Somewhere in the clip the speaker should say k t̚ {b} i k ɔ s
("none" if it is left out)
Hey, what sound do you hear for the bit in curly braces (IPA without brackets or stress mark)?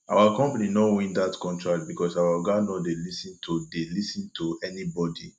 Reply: b